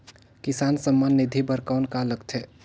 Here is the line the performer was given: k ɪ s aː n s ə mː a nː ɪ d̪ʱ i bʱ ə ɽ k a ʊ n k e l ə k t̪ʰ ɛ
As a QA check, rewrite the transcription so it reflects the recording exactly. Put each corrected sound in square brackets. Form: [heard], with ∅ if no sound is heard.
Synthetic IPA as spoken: k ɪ s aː n s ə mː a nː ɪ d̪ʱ i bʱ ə [ɾ] k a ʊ n k [a] l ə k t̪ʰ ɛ